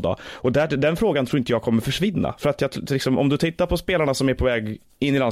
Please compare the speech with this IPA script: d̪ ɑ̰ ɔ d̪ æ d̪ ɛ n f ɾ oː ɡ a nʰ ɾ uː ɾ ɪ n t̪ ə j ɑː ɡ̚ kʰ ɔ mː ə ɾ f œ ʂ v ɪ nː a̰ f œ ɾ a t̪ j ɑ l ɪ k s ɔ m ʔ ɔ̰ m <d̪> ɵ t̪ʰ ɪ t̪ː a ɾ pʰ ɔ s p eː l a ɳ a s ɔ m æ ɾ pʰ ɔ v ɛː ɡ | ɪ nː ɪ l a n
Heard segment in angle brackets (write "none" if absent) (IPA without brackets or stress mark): d̪